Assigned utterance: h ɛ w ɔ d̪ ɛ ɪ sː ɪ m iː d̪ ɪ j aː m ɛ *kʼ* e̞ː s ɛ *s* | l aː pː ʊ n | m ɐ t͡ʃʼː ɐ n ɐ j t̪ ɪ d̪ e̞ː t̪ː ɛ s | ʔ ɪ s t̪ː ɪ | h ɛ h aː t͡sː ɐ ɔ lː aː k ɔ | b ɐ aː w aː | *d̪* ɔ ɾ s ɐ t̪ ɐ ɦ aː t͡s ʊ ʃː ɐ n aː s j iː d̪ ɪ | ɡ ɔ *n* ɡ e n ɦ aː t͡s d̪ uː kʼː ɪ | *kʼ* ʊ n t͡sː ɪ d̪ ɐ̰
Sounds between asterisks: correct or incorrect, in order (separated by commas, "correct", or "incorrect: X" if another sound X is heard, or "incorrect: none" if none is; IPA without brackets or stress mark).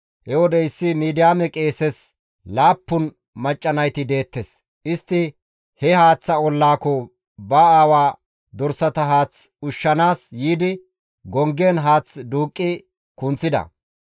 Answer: correct, correct, correct, incorrect: ŋ, incorrect: k